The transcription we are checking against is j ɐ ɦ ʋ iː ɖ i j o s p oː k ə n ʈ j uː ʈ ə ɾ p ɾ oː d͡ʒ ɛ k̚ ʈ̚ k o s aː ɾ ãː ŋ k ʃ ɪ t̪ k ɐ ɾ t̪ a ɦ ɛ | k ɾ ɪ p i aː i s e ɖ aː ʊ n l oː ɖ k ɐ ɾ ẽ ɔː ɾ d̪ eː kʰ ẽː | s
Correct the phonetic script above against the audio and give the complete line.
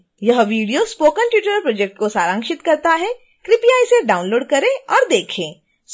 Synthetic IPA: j ɐ ɦ ʋ iː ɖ i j o s p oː k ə n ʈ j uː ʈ ə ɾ p ɾ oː d͡ʒ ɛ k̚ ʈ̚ k o s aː ɾ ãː ŋ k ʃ ɪ t̪ k ɐ ɾ t̪ a ɦ ɛ | k ɾ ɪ p i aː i s e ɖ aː ʊ n l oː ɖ k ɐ ɾ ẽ ɔː ɾ d̪ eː kʰ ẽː | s